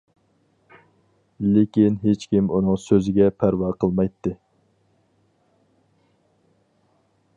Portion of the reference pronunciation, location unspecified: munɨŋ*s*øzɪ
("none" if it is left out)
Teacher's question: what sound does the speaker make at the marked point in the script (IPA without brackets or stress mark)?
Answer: s